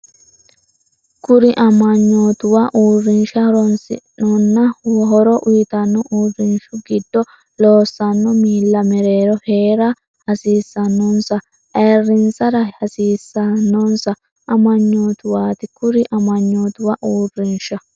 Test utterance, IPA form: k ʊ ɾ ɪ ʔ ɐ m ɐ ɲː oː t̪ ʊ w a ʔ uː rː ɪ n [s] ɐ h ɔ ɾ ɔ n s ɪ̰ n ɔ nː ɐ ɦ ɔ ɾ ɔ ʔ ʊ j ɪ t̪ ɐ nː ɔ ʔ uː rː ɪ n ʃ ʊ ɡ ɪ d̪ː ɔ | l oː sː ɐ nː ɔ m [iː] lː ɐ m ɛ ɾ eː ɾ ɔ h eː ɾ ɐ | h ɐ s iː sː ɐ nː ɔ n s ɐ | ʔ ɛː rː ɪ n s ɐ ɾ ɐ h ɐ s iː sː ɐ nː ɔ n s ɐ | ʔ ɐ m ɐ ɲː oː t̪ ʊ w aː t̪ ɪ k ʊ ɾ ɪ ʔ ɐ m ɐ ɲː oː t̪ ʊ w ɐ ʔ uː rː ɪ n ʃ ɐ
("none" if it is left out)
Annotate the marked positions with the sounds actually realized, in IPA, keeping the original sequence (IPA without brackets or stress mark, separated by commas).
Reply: ʃ, iː